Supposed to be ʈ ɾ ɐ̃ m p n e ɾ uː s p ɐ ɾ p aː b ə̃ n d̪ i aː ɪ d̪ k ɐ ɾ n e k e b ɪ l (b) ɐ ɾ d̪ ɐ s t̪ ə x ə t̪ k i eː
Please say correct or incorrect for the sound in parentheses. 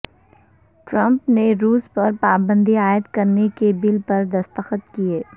incorrect